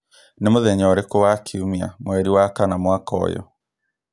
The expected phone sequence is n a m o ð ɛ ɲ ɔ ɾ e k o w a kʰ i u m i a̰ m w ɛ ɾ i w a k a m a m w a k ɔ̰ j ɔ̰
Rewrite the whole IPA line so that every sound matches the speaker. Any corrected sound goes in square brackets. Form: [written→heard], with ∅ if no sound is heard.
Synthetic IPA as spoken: n [a→e] m o ð ɛ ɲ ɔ ɾ e k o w a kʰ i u m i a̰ m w ɛ ɾ i w a k a [m→n] a m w a k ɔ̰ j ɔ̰

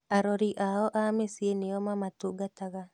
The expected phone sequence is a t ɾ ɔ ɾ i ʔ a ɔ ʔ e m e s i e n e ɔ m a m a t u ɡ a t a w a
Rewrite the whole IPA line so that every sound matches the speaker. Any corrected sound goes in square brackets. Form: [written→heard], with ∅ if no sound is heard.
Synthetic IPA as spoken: a [t→∅] ɾ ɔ ɾ i ʔ a ɔ ʔ [e→a] m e s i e n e ɔ m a m a t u ɡ a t a [w→ɣ] a

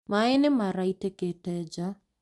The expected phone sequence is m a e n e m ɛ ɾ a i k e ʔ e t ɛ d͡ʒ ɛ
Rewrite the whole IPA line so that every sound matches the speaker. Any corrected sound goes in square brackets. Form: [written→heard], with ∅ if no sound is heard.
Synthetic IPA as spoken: m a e n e m [ɛ→a] ɾ a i [k→t] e [ʔ→k] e t ɛ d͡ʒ [ɛ→a]

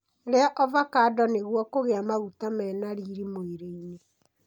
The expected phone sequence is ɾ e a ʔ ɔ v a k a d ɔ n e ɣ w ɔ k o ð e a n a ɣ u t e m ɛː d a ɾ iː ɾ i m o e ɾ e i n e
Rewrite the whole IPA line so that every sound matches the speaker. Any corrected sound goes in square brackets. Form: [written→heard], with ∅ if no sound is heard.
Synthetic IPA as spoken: ɾ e a ʔ ɔ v a k a d ɔ n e ɣ w ɔ k o [ð→ɣ] e a [n→m] a ɣ u t [e→a] m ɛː [d→n] a ɾ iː ɾ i m o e ɾ e i n e

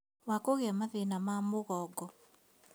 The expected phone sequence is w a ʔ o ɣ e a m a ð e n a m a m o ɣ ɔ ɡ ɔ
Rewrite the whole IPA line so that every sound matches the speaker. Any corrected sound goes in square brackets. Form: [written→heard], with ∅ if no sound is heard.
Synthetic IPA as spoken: w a [ʔ→k] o ɣ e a m a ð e n a m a m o ɣ ɔ ɡ ɔ

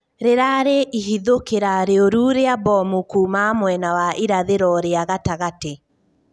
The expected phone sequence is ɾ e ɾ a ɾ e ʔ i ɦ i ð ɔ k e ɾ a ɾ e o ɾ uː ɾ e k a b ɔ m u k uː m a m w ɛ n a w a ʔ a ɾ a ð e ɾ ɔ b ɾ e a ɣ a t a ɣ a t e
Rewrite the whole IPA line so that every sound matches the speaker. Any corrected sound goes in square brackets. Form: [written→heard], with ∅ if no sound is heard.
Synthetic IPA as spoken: ɾ e ɾ a ɾ e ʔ i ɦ i ð [ɔ→o] k e ɾ a ɾ e o ɾ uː ɾ e [k→∅] a b ɔ m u k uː m a m w ɛ n a w a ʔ [a→i] ɾ a ð e ɾ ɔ [b→∅] ɾ e a ɣ a t a ɣ a t e

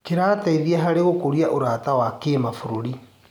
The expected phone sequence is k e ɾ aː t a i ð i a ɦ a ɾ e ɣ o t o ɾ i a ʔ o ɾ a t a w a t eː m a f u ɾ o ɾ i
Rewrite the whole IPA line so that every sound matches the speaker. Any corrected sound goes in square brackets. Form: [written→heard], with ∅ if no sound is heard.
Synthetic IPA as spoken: k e ɾ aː t a i ð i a ɦ a ɾ e ɣ o [t→k] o ɾ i a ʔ o ɾ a t a w a [t→k] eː m a f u ɾ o ɾ i

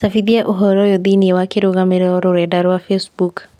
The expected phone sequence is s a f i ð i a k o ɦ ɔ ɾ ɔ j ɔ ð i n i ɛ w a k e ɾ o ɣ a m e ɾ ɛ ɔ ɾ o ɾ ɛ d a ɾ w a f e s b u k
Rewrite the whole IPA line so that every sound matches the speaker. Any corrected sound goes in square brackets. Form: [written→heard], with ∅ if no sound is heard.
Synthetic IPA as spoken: s a f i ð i a [k→ʔ] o ɦ ɔ ɾ ɔ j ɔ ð i n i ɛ w a k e ɾ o ɣ a m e ɾ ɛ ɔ ɾ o ɾ ɛ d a ɾ w a f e s b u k

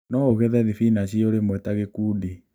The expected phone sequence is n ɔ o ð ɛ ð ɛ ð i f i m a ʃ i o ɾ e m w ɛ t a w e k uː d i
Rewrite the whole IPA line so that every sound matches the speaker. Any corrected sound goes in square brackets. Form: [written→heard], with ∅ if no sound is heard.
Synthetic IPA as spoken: n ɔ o [ð→ɣ] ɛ ð ɛ ð i f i [m→n] a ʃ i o ɾ e m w ɛ t a [w→ɣ] e k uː d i

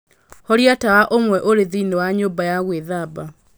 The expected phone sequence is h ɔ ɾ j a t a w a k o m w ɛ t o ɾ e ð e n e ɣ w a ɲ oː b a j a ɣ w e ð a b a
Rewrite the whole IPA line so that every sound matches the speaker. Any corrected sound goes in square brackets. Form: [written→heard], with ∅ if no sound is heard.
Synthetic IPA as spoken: h ɔ ɾ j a t a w a [k→ʔ] o m w ɛ [t→ʔ] o ɾ e ð [e→i] n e [ɣ→∅] w a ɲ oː b a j a ɣ w e ð a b a

